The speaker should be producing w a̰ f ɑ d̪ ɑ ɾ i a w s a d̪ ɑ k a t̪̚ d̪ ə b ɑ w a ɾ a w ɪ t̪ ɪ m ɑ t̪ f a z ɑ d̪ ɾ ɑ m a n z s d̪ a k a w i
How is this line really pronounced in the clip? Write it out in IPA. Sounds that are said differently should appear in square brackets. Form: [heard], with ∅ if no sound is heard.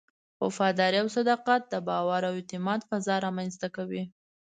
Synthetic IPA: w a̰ f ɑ d̪ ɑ ɾ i a w s a d̪ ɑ [q] a t̪̚ d̪ ə b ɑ w a ɾ a w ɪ t̪ ɪ m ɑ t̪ f a z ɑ [∅] ɾ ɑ m a n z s [t̪] a k a w i